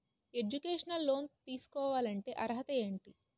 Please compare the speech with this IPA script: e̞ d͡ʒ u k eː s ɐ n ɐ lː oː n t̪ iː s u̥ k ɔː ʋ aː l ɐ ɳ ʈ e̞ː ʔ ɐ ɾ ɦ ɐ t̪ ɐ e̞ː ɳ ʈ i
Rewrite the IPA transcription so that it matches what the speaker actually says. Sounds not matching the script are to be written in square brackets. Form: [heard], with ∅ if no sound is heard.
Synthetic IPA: e̞ d͡ʒ u k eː [ʂ] ɐ n ɐ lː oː n t̪ iː s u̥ k ɔː ʋ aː l ɐ ɳ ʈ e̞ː ʔ ɐ ɾ ɦ ɐ t̪ ɐ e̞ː ɳ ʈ i

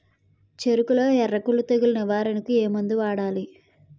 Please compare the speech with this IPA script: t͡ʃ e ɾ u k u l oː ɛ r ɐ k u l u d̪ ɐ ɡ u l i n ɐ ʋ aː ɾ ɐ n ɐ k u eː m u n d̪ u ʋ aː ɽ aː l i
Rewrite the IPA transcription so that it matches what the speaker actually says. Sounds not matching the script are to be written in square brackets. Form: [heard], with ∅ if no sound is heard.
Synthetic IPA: t͡ʃ e ɾ u k u l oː ɛ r ɐ k u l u [t̪] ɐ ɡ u l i n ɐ ʋ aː ɾ ɐ n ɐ k u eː m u n d̪ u ʋ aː ɽ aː l i

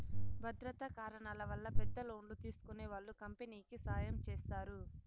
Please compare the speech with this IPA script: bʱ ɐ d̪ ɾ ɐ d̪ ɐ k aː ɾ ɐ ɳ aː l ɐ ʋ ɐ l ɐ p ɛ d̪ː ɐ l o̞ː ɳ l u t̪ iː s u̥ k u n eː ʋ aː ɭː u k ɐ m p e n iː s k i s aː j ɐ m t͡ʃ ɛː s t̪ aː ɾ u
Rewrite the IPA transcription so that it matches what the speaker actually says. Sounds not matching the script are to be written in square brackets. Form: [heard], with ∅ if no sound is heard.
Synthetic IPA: bʱ ɐ d̪ ɾ ɐ [t̪] ɐ k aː ɾ ɐ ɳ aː l ɐ ʋ ɐ [lː] ɐ p ɛ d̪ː ɐ l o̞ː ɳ l u t̪ iː s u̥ k u n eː ʋ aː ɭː u k ɐ m p e n iː [∅] k i s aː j ɐ m t͡ʃ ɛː s t̪ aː ɾ u

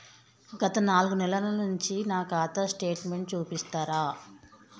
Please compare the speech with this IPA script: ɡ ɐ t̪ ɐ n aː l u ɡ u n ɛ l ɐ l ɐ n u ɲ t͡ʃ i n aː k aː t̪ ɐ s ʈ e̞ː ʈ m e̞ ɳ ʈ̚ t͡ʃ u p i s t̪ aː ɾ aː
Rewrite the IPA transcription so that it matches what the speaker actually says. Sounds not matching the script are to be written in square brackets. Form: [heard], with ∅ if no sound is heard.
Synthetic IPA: ɡ ɐ t̪ ɐ n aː l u ɡ u n ɛ l ɐ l ɐ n u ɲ t͡ʃ i n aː k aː t̪ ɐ s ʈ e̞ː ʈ m e̞ ɳ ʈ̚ t͡ʃ [uː] p i s t̪ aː ɾ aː

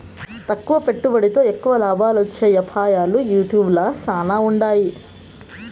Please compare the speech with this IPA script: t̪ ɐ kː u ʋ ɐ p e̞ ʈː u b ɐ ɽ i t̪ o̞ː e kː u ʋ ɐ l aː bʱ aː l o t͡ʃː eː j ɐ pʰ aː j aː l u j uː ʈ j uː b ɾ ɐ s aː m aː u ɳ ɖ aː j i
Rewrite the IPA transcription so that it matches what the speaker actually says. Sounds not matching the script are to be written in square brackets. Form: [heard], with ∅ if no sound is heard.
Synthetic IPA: t̪ ɐ kː u ʋ ɐ p e̞ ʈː u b ɐ ɽ i t̪ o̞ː e kː u ʋ ɐ l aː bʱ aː l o t͡ʃː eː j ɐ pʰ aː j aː l u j uː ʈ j uː b [l] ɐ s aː [n] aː u ɳ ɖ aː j i

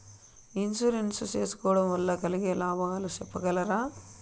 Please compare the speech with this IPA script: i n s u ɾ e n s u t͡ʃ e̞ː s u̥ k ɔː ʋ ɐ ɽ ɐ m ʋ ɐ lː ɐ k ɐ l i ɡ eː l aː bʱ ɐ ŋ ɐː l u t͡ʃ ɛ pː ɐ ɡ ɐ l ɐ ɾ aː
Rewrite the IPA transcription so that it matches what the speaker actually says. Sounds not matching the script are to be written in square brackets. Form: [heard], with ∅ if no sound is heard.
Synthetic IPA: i n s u ɾ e n s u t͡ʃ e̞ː s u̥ k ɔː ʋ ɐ ɽ ɐ m ʋ ɐ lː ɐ k ɐ l i ɡ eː l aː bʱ ɐ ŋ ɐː l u t͡ʃ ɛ pː ɐ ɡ ɐ l ɐ ɾ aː

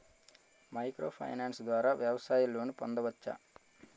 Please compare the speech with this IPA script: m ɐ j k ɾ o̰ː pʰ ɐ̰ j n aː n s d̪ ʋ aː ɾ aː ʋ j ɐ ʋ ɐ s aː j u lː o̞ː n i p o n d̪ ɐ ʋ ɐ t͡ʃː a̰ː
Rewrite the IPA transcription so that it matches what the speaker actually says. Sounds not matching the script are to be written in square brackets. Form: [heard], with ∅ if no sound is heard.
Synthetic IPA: m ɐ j k ɾ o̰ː pʰ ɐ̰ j n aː n s d̪ ʋ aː ɾ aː ʋ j ɐ ʋ ɐ s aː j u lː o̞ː n i p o n d̪ ɐ ʋ ɐ t͡ʃː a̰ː

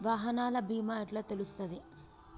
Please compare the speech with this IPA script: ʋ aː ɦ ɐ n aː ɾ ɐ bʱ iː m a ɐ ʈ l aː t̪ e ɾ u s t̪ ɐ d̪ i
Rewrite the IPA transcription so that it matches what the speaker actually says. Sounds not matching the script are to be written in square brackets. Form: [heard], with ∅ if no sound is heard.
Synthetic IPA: ʋ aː ɦ ɐ n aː [l] ɐ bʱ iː m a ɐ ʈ l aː t̪ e [l] u s t̪ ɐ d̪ i

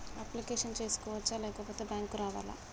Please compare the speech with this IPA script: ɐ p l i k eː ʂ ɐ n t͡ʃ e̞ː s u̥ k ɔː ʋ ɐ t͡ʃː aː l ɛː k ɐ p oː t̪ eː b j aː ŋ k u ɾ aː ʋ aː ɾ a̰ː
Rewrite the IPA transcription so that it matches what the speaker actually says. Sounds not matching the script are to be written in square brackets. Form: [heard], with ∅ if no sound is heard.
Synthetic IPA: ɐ p l i k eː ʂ ɐ n t͡ʃ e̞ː s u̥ k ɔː ʋ ɐ t͡ʃː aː l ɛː k ɐ p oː t̪ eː b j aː ŋ k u ɾ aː ʋ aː [l] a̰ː

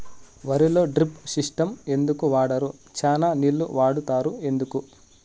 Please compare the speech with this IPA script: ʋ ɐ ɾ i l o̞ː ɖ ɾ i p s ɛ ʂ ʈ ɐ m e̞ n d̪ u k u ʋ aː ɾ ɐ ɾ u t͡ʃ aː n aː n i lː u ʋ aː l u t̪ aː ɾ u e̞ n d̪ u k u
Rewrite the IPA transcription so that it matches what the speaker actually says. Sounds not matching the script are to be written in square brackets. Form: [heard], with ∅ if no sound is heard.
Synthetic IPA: ʋ ɐ ɾ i l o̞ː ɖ ɾ i p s [i] ʂ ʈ ɐ m e̞ n d̪ u k u ʋ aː [ɽ] ɐ ɾ u t͡ʃ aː n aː n i lː u ʋ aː [ɽ] u t̪ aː ɾ u e̞ n d̪ u k u

